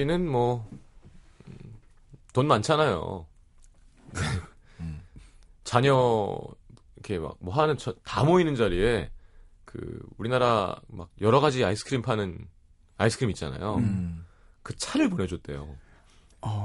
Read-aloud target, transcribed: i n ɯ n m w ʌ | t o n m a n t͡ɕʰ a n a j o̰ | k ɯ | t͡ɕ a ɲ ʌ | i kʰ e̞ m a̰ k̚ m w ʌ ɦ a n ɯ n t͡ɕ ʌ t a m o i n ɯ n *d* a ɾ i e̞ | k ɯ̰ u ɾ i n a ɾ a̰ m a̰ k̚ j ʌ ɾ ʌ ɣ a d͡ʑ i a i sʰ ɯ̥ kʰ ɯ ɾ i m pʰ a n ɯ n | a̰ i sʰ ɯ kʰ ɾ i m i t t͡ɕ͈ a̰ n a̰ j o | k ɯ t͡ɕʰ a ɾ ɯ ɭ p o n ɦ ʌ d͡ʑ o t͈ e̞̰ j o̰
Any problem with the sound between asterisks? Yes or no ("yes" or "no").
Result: yes